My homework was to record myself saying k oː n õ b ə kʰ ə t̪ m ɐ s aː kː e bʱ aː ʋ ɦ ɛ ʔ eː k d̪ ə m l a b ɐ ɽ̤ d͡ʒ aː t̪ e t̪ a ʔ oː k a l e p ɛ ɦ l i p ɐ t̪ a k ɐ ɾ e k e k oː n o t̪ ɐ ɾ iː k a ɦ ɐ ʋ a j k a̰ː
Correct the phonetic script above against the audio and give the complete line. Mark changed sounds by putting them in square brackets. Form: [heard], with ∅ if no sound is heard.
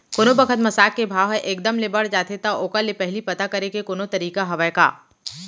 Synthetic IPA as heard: k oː n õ b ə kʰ ə t̪ m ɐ s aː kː e bʱ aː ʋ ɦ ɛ ʔ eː k d̪ ə m l [e] b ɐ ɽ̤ d͡ʒ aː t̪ e t̪ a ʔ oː k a l e p ɛ ɦ l i p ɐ t̪ a k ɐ ɾ e k e k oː n o t̪ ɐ ɾ iː k a ɦ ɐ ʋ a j k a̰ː